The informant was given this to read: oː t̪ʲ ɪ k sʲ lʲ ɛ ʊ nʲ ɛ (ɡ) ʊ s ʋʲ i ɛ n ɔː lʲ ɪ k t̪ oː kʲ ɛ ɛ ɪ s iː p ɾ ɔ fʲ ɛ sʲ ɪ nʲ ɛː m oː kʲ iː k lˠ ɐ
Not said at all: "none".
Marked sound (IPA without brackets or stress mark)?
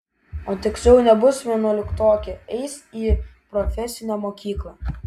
b